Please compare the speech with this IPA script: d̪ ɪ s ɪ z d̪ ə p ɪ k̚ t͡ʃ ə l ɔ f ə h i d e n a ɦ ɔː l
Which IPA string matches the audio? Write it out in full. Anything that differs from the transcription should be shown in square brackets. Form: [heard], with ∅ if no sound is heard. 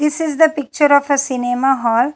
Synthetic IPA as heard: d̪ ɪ s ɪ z d̪ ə p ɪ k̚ t͡ʃ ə [ɾ] ɔ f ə [s] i [n] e [m] a ɦ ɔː l